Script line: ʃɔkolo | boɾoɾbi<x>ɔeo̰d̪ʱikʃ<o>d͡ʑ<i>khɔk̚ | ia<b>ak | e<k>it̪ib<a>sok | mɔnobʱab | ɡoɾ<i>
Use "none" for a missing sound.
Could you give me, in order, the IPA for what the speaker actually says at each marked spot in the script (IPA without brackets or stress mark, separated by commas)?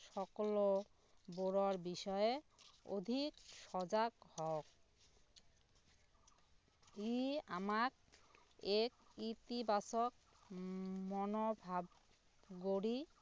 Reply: ʃ, ɔ, a, m, k, a, i